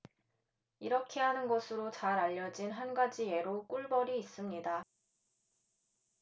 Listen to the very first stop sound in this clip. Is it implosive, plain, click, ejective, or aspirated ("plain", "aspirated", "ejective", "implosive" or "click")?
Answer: aspirated